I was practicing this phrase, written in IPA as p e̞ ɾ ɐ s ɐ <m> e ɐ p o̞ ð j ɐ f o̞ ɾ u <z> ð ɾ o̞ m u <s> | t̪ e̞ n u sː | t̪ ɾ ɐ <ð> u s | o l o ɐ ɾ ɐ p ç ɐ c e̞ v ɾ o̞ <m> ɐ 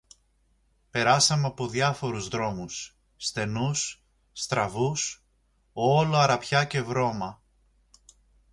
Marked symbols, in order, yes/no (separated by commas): yes, yes, no, no, yes